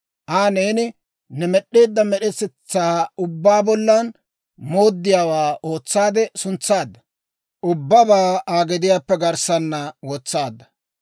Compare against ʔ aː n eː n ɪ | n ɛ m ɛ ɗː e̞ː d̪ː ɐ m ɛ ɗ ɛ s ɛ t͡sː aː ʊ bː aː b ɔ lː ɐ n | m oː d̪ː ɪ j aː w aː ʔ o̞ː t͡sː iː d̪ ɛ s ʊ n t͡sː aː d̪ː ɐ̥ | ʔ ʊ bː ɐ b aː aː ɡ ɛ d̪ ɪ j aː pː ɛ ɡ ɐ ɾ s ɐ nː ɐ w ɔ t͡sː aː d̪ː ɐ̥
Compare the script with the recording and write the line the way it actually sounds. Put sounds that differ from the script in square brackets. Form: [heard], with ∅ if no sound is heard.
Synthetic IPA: ʔ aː n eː n ɪ | n ɛ m ɛ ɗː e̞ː d̪ː ɐ m ɛ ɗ ɛ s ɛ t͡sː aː ʊ bː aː b ɔ lː ɐ n | m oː d̪ː ɪ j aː w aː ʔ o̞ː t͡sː [aː] d̪ ɛ s ʊ n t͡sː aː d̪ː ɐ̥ | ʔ ʊ bː ɐ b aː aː ɡ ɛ d̪ ɪ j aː pː ɛ ɡ ɐ ɾ s ɐ nː ɐ w ɔ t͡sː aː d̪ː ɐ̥